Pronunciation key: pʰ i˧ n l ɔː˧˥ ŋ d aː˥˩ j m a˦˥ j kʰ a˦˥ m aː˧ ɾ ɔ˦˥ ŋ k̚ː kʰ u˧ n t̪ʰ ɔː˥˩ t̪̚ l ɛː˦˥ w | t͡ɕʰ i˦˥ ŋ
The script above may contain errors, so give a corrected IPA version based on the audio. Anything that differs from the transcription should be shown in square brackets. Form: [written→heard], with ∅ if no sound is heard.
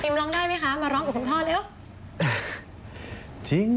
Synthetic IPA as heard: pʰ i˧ [n→m] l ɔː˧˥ ŋ d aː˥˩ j m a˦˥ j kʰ a˦˥ m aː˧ ɾ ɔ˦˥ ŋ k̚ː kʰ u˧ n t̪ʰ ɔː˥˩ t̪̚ l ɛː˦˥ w | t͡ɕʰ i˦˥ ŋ